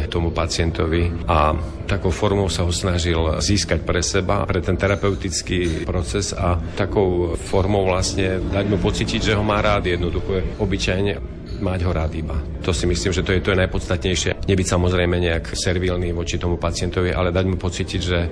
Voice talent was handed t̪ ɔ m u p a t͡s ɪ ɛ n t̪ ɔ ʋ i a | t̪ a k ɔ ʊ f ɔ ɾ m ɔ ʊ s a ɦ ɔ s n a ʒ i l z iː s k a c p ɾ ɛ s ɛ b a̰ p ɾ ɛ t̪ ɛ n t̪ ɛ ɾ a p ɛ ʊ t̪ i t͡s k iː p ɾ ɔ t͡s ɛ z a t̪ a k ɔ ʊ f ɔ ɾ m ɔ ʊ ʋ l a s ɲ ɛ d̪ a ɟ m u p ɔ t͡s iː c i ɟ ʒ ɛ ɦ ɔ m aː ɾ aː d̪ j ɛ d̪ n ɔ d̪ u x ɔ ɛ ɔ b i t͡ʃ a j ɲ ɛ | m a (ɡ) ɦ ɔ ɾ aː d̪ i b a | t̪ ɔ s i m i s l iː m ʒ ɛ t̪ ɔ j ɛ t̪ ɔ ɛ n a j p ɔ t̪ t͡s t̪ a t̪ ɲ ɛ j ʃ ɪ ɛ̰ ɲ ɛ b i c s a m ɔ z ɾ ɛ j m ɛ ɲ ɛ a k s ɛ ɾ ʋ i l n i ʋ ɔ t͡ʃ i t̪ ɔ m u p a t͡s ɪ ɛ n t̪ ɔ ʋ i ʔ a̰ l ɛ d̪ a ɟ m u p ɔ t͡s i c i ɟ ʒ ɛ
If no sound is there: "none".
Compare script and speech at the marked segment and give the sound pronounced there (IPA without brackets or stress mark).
ɟ